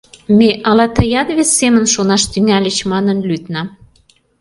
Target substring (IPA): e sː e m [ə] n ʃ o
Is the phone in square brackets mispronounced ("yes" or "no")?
no